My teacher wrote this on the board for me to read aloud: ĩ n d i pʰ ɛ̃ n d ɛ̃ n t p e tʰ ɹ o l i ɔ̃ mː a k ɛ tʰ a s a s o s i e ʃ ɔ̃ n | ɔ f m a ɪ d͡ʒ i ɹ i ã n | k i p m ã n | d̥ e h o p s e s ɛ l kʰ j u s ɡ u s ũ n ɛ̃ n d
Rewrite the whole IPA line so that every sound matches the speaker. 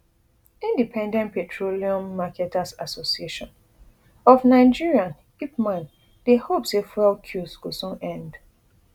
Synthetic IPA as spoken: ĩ n d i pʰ ɛ̃ n d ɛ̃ n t p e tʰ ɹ o l i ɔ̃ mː a k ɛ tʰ a s a s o s i e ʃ ɔ̃ n | ɔ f n a ɪ d͡ʒ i ɹ i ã n | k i p m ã n | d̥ e h o p s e f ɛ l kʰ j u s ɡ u s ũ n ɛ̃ n d